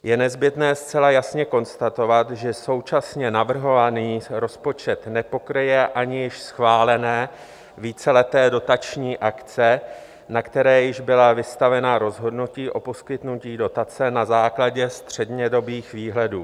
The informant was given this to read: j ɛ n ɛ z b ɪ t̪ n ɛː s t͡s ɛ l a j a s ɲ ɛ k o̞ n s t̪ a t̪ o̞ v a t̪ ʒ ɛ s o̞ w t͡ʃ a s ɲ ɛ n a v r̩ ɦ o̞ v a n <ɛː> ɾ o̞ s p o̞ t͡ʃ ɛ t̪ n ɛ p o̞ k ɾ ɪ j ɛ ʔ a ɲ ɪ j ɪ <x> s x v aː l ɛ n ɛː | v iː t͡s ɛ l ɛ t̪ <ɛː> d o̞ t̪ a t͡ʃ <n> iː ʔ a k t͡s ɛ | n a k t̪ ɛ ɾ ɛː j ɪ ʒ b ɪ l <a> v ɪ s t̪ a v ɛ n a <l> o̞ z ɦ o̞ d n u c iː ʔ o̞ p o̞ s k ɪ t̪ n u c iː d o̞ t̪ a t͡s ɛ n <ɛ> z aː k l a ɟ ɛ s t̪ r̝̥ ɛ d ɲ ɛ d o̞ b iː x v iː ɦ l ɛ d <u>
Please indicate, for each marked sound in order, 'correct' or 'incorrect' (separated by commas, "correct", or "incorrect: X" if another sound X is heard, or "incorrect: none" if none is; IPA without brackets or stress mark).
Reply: incorrect: iː, incorrect: ʃ, correct, incorrect: ɲ, correct, incorrect: ɾ, incorrect: a, incorrect: uː